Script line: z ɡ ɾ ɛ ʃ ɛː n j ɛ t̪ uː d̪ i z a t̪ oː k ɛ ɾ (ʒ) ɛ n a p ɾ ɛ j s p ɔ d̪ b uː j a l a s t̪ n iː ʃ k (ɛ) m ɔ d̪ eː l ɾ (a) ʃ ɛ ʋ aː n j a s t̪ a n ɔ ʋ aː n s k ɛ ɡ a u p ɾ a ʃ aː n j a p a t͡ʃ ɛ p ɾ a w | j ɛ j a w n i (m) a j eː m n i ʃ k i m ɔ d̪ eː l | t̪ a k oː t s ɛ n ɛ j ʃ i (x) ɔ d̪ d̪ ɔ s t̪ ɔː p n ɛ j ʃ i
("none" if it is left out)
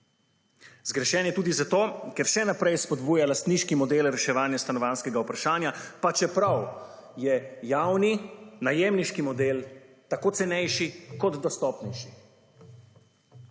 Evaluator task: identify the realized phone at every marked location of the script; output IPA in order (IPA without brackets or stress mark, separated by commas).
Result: ʃ, i, ɛ, n, k